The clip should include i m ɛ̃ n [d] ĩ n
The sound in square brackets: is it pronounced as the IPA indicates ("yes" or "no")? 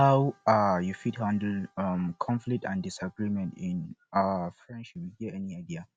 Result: no